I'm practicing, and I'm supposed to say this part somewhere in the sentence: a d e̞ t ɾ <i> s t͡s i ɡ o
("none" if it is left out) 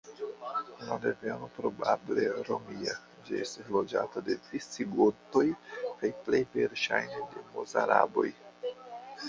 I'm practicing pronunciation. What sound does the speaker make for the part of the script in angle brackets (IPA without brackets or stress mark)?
i